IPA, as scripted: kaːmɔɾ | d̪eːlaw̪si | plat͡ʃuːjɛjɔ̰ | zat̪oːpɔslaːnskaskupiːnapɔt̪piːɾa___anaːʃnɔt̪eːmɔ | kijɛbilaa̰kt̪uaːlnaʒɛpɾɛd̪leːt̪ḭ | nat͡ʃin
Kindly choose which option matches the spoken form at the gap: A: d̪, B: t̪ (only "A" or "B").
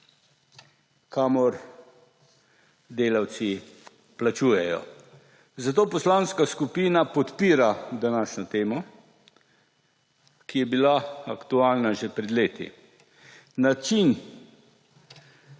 A